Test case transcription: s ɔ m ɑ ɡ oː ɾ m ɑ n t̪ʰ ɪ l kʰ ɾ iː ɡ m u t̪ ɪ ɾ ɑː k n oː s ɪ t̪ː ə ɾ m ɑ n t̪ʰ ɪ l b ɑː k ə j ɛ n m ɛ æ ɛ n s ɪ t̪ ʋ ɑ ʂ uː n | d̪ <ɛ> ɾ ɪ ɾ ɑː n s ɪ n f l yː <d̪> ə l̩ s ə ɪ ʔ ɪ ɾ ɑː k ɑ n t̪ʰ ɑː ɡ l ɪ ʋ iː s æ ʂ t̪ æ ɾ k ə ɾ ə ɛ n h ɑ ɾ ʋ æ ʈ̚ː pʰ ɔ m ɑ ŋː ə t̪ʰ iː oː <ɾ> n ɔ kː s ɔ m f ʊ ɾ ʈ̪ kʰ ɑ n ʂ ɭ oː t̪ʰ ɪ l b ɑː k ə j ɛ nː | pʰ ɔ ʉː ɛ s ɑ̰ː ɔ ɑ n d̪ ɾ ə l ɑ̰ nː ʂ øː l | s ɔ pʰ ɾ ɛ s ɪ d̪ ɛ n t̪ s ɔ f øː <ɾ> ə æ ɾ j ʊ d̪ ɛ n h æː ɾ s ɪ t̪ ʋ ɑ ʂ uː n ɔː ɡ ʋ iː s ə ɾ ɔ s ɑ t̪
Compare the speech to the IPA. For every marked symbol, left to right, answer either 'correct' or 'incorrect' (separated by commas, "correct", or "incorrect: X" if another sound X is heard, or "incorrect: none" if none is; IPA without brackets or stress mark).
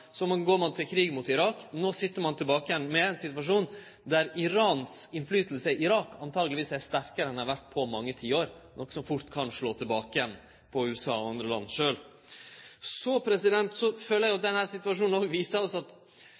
incorrect: æ, incorrect: t̪, correct, incorrect: l